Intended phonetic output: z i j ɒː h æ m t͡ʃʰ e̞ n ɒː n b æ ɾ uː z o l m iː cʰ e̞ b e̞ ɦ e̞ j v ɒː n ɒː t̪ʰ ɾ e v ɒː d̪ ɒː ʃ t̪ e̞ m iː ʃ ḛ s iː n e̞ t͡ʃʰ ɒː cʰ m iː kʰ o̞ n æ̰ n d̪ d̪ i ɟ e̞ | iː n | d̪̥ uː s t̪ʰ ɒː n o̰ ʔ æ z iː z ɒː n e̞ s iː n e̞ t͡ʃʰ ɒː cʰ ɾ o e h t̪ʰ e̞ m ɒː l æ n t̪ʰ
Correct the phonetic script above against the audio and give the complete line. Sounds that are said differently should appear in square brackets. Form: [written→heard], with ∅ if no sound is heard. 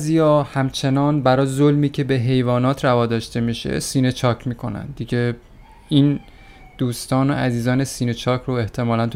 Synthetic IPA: z i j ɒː h æ m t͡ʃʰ e̞ n ɒː n b æ ɾ [uː→ɒː] z o l m iː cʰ e̞ b e̞ ɦ e̞ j v ɒː n ɒː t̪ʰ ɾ [e→æ] v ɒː d̪ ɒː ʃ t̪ e̞ m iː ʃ ḛ s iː n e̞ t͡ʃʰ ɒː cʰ m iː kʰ o̞ n æ̰ n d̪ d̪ i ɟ e̞ | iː n | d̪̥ uː s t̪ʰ ɒː n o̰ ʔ æ z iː z ɒː n e̞ s iː n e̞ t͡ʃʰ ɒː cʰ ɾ o e h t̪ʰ e̞ m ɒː l æ n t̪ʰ